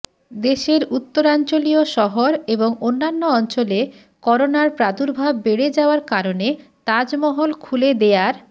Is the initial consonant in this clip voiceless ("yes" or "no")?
no